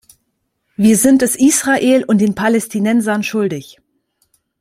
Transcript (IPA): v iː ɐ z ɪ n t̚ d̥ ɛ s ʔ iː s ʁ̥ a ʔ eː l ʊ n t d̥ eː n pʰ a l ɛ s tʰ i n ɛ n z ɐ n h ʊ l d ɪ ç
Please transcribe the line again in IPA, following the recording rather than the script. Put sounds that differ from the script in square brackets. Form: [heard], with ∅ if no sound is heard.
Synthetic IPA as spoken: v iː ɐ z ɪ n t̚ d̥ ɛ s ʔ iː s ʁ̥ a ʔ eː l ʊ n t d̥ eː n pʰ a l ɛ s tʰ i n ɛ n z ɐ n [ʃ] ʊ l d ɪ ç